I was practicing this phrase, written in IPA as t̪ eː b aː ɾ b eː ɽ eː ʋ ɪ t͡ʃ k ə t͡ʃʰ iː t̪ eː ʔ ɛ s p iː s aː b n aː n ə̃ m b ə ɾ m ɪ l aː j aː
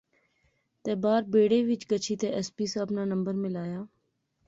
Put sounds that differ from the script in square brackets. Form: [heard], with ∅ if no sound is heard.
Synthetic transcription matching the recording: t̪ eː b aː ɾ b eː ɽ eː ʋ ɪ t͡ʃ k ə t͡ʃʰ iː t̪ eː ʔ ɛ s p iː s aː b n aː n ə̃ m b ə ɾ m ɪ l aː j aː